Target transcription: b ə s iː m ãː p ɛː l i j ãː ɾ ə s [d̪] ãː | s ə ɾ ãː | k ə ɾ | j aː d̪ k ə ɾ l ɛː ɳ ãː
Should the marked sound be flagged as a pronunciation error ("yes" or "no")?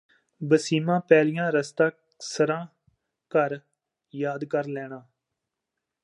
yes